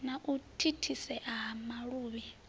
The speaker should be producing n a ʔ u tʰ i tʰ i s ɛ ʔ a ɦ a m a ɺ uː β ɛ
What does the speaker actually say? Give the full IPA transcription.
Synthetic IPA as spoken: n a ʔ u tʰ i tʰ i s ɛ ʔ a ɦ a m a ɺ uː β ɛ